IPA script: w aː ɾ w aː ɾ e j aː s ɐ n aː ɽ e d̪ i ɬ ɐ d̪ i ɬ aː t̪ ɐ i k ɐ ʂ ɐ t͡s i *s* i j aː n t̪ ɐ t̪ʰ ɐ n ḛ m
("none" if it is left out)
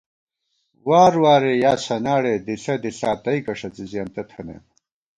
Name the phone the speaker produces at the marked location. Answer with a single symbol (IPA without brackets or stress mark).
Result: z